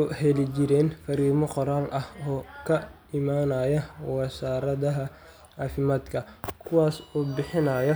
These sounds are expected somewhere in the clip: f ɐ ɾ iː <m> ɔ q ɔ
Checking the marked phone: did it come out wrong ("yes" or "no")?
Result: no